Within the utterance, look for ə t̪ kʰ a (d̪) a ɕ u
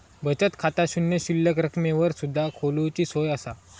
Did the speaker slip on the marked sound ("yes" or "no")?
yes